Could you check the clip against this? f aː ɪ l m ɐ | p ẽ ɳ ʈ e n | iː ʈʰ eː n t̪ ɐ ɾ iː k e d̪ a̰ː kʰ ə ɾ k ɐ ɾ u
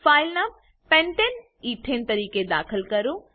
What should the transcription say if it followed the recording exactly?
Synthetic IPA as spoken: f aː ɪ l n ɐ | p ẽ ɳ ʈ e n | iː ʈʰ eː n t̪ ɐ ɾ iː k e d̪ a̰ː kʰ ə l k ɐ ɾ u